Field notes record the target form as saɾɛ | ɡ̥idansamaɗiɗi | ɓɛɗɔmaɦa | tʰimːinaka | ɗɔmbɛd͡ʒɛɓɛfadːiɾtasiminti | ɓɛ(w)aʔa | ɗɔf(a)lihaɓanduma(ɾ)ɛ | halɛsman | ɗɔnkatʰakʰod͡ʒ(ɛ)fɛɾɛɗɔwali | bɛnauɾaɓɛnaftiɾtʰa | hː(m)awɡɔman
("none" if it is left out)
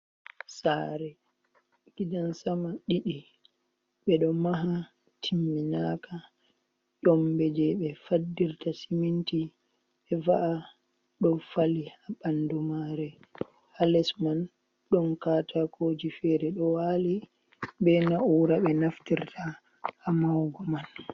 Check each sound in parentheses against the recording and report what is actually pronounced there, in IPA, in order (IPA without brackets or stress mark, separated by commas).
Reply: v, a, ɾ, i, m